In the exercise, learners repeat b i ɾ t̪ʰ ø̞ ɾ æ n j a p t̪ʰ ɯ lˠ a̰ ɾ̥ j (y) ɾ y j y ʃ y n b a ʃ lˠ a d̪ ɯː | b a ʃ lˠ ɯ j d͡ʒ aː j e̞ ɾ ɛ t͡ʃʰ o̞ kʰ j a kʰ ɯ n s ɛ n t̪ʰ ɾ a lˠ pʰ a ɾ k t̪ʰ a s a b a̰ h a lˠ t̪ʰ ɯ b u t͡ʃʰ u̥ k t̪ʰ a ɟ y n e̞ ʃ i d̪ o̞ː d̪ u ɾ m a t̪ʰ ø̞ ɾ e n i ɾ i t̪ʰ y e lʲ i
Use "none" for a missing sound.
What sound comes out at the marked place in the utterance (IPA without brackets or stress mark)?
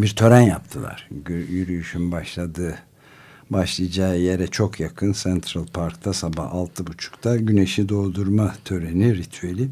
y